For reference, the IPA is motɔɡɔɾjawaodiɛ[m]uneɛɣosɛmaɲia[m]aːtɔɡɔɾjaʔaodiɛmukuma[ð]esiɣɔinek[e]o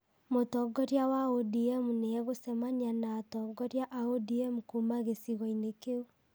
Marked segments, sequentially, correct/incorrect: correct, incorrect: n, incorrect: ɣ, correct

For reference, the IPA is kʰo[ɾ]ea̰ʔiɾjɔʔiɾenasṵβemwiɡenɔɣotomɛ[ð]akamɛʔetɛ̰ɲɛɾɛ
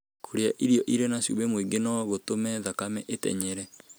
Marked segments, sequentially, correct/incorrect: correct, correct

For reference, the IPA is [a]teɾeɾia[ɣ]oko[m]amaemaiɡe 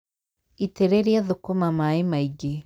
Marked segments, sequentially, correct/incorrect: incorrect: i, incorrect: ð, correct

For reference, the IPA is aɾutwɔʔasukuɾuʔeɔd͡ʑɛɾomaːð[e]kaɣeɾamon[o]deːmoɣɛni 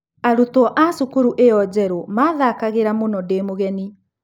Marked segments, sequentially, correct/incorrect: incorrect: a, incorrect: ɔ

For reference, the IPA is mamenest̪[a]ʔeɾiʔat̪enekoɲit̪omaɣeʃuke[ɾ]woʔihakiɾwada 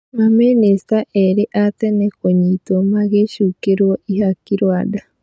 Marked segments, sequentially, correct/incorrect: correct, correct

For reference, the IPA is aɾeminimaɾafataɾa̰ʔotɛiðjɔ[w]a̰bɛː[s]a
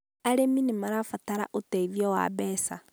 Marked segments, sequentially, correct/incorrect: correct, correct

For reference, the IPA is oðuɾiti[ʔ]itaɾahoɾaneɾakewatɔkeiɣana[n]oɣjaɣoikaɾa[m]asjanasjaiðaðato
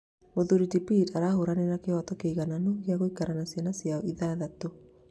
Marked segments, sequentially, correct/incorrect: incorrect: p, correct, incorrect: n

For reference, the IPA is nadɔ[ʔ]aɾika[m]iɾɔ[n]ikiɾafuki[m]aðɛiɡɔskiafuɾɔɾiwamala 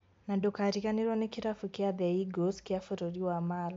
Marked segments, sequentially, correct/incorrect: incorrect: k, incorrect: n, correct, incorrect: none

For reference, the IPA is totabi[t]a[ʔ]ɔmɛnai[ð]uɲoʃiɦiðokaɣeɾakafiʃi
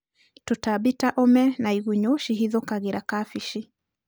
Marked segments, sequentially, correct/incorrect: correct, correct, incorrect: ɣ

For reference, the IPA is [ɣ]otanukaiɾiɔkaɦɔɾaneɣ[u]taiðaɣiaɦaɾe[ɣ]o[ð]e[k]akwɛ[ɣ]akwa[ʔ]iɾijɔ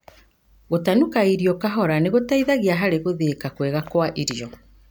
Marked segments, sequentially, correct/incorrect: correct, incorrect: o, correct, correct, correct, correct, correct

